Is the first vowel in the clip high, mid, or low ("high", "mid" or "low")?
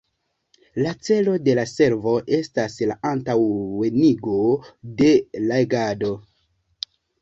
low